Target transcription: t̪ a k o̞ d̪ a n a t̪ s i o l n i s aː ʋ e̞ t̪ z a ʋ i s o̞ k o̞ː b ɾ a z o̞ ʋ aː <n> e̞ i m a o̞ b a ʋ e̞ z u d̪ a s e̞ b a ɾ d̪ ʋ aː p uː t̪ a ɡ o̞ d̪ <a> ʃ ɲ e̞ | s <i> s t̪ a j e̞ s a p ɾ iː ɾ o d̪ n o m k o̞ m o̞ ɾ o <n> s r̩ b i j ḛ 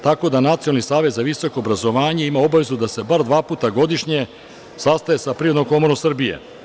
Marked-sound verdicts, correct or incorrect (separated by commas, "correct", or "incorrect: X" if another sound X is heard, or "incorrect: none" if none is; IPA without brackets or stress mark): incorrect: ɲ, incorrect: i, incorrect: a, incorrect: m